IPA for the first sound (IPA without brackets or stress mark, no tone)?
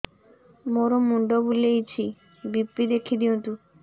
m